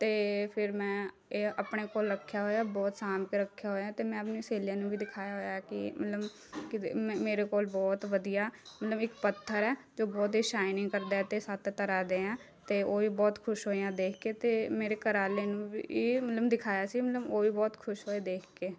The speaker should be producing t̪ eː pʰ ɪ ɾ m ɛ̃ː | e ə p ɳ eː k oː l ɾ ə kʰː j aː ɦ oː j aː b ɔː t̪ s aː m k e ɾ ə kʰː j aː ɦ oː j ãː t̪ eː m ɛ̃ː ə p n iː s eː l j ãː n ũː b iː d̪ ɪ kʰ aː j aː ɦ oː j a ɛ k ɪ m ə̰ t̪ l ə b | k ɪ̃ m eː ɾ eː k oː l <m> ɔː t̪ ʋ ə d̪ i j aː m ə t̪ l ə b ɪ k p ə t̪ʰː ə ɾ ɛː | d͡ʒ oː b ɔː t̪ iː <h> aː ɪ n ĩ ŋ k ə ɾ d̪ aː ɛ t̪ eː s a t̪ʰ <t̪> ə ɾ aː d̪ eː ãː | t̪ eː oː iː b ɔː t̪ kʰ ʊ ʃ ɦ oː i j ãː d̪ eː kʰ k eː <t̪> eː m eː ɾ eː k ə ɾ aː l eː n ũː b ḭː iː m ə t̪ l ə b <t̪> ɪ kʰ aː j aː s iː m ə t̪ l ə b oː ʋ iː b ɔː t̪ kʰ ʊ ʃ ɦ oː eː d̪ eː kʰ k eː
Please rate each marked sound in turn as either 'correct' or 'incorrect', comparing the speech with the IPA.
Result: incorrect, incorrect, correct, correct, incorrect

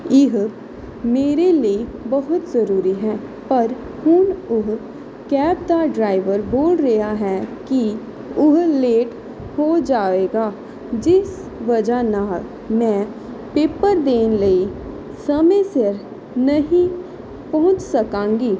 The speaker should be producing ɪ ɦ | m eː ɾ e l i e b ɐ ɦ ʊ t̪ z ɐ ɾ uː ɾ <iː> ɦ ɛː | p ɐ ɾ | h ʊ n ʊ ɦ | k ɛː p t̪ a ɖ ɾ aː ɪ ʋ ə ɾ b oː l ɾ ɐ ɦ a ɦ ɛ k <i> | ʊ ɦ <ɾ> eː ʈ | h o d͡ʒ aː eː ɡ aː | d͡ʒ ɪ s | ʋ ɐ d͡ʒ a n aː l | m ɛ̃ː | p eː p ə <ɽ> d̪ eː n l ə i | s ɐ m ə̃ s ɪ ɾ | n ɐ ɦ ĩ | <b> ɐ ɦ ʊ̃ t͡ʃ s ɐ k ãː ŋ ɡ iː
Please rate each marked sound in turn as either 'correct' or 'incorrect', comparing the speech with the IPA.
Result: incorrect, correct, incorrect, incorrect, incorrect

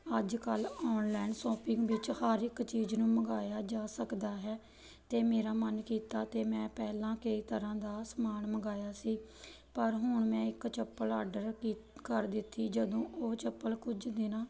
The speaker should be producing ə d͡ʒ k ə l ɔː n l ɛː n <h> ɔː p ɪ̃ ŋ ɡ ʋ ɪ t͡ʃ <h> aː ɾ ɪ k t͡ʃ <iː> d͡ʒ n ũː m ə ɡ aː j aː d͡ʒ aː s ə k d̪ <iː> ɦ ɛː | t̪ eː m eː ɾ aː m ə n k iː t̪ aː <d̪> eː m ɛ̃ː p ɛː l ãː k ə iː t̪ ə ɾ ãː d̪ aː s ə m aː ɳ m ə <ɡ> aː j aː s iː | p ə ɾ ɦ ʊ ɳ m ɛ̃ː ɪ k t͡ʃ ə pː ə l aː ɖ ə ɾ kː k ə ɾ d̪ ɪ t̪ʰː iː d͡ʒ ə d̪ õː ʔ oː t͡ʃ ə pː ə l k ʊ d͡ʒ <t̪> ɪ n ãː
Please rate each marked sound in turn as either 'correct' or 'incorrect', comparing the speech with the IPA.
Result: incorrect, correct, correct, incorrect, incorrect, correct, incorrect

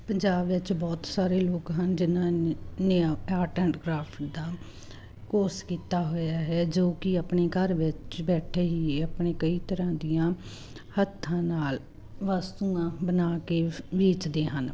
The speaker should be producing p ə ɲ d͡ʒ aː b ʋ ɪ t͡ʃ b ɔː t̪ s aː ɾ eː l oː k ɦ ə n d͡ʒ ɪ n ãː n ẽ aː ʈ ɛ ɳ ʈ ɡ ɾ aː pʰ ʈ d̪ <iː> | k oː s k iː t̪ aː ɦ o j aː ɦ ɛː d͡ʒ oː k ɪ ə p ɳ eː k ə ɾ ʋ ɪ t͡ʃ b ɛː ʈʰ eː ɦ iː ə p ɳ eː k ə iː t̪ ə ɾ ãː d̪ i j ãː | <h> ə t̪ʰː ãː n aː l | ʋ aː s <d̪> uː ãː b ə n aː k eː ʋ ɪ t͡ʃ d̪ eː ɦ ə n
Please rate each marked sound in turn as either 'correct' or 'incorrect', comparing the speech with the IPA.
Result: incorrect, correct, incorrect

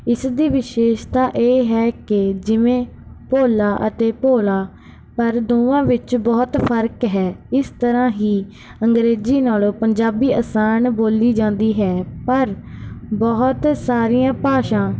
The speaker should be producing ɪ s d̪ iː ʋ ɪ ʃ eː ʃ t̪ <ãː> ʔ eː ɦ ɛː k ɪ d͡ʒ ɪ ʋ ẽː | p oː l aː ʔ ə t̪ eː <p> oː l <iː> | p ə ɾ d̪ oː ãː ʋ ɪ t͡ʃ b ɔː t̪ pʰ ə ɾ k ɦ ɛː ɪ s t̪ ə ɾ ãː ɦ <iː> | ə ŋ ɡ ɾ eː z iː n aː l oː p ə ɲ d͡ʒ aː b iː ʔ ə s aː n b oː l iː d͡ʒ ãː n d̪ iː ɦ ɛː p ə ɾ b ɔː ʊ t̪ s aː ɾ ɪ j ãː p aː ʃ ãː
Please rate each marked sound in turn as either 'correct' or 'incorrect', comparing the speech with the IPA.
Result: incorrect, correct, incorrect, correct

